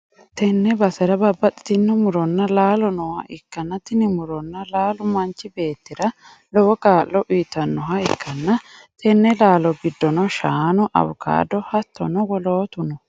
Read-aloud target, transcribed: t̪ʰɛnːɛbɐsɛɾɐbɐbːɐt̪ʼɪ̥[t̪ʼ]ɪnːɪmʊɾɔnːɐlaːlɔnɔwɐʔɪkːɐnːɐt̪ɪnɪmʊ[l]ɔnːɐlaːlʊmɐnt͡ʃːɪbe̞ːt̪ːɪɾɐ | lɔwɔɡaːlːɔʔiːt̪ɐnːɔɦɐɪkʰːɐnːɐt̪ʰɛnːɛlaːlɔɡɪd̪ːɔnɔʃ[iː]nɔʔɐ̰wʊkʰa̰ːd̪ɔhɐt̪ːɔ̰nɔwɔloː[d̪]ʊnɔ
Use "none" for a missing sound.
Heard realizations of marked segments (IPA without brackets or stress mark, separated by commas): t̪, ɾ, aː, t̪